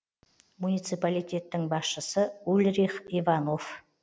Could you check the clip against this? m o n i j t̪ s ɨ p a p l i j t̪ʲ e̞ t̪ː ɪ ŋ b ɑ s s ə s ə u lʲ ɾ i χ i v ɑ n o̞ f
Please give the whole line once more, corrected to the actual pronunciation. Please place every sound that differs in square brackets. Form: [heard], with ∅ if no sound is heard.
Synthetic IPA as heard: m [u] n i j t̪ s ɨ p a [∅] l i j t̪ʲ e̞ t̪ː ɪ ŋ b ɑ s [ʃ] ə s ə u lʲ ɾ i χ i v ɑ n o̞ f